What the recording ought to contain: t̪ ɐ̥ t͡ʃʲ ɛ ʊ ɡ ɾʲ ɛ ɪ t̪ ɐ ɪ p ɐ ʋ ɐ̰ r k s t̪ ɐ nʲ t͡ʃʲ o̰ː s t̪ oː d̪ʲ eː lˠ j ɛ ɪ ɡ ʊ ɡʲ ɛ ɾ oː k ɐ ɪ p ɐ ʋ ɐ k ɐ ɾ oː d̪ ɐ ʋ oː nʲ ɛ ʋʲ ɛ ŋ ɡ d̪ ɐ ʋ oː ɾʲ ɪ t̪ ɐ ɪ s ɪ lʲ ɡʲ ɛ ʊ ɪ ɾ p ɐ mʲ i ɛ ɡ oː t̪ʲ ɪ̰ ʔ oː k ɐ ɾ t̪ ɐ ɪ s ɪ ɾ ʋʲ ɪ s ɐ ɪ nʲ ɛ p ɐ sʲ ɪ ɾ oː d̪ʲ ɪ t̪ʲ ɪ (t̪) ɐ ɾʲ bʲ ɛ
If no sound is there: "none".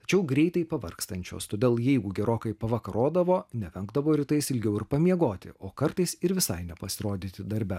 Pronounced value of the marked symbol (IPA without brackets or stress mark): d̪